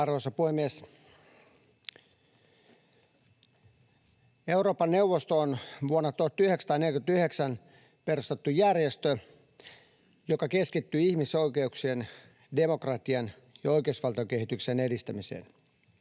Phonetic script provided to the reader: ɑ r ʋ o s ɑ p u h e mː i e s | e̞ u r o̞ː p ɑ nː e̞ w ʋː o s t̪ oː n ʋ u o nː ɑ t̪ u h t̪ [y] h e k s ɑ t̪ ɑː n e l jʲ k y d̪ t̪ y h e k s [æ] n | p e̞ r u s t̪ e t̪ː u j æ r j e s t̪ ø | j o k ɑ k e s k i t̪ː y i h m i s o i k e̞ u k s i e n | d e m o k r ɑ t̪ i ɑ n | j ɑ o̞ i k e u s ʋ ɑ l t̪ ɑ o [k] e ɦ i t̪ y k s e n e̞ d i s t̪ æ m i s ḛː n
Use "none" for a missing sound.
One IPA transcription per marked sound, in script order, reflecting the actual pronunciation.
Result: y, æ, k

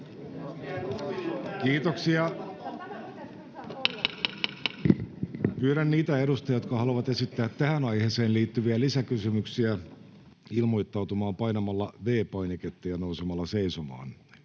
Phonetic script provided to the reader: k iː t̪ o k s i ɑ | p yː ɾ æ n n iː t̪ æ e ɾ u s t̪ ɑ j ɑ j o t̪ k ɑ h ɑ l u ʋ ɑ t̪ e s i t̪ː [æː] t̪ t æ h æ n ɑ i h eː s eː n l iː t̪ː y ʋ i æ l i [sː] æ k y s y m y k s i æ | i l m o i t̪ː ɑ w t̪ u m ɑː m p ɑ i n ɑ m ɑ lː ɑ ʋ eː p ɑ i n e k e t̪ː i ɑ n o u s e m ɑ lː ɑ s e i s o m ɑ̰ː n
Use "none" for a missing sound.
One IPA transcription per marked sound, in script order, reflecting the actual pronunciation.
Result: æː, s

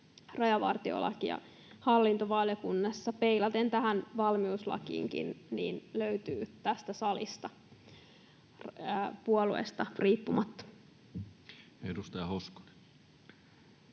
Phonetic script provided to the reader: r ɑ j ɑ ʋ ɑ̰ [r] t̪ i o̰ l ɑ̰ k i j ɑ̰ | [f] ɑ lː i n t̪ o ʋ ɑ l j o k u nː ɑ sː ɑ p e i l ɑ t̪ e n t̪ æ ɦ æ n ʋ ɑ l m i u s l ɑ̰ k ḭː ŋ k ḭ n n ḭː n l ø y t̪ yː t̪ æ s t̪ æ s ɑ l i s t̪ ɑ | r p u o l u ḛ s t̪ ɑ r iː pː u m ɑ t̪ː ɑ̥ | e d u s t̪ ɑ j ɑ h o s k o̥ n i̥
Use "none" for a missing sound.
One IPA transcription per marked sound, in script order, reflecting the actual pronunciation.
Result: r, h

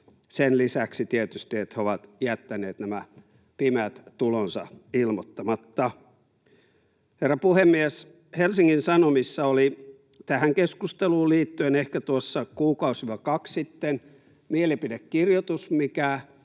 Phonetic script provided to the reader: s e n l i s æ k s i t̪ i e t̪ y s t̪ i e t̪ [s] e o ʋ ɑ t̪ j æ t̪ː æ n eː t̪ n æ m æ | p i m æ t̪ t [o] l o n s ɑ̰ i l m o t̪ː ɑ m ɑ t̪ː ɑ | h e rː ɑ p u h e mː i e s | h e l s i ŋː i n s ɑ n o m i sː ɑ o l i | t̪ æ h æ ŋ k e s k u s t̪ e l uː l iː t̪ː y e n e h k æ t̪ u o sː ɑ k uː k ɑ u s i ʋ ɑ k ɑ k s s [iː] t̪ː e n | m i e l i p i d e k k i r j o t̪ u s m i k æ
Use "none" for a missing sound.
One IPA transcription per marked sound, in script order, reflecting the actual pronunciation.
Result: h, u, i

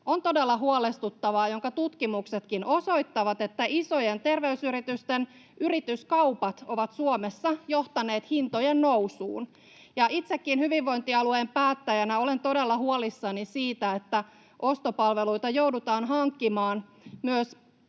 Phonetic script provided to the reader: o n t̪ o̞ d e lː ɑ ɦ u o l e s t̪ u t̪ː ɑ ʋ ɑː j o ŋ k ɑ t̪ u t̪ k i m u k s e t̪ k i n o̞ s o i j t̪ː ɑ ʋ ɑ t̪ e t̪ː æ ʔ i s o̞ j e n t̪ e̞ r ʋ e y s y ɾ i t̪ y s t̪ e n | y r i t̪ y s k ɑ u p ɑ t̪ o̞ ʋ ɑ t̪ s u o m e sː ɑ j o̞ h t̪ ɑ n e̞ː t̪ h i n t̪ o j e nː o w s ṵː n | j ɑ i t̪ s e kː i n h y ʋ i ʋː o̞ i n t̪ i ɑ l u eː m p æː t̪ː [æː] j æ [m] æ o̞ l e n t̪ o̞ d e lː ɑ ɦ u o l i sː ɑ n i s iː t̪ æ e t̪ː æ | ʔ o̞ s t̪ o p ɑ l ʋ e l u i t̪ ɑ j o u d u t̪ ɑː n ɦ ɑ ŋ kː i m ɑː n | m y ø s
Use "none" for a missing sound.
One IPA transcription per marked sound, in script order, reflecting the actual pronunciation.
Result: æ, n

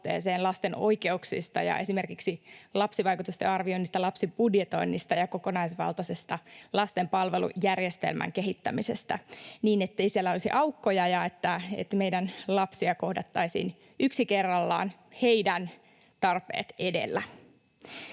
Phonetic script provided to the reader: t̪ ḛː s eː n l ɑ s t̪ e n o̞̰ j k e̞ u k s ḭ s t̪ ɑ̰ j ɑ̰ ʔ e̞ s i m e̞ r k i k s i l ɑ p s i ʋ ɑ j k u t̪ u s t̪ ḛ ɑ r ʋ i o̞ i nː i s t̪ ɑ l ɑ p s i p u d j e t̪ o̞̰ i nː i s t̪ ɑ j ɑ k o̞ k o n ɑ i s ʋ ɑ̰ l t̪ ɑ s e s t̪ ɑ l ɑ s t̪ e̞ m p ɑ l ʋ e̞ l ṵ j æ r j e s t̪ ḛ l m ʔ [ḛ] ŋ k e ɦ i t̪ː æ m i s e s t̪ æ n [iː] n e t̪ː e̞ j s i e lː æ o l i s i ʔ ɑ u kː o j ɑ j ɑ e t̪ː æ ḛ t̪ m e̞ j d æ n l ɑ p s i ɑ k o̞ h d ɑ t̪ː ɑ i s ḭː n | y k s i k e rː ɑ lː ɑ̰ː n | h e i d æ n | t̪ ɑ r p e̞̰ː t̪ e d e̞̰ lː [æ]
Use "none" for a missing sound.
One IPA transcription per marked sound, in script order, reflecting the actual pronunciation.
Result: æ̰, iː, æ

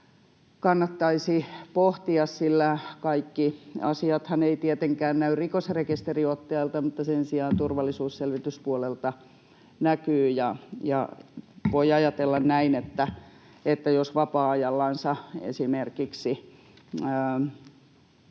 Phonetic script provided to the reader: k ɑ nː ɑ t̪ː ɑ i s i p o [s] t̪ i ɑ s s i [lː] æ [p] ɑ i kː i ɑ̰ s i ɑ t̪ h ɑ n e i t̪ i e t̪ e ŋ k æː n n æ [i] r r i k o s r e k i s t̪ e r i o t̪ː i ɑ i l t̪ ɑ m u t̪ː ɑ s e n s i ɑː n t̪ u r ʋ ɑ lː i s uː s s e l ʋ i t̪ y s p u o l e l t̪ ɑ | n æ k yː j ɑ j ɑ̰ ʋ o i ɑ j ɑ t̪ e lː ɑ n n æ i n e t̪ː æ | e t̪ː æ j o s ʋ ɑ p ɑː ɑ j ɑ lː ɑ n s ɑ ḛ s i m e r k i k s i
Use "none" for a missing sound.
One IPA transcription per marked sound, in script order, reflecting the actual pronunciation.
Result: h, lː, k, y

